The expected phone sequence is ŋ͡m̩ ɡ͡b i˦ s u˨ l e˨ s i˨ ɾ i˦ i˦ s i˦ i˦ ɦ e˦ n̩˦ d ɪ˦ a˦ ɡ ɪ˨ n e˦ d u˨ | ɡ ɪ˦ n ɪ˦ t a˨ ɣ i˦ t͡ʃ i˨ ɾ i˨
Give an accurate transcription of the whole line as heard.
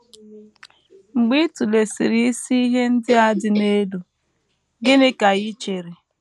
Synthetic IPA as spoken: ŋ͡m̩ ɡ͡b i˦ t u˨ l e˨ s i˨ ɾ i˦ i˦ s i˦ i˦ ɦ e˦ n̩˦ d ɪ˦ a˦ d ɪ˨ n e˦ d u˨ | ɡ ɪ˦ n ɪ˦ k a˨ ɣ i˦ t͡ʃ e˨ ɾ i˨